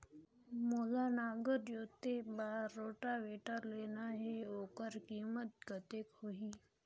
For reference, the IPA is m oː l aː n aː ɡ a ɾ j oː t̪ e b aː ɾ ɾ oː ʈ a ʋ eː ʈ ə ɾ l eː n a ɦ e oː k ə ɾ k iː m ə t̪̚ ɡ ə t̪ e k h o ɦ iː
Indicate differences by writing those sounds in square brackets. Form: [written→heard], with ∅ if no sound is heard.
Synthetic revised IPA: m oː l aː n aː ɡ [a→ə] ɾ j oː t̪ e b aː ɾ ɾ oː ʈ a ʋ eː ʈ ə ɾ l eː n a ɦ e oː k ə ɾ k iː m ə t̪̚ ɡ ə t̪ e k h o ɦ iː